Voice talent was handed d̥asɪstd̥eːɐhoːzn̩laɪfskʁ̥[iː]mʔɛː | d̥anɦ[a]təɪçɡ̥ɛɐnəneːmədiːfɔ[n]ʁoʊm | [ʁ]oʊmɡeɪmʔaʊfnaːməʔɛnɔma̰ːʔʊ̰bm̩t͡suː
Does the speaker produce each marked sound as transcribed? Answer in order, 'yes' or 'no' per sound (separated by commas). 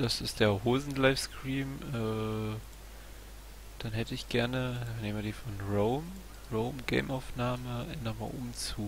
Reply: yes, no, yes, yes